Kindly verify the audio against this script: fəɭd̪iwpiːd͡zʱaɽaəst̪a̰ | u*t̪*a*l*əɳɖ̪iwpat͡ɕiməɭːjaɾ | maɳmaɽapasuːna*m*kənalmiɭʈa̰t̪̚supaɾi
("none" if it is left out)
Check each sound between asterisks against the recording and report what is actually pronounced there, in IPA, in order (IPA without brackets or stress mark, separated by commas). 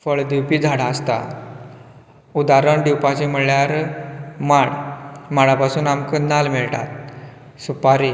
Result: d̪, ɾ, m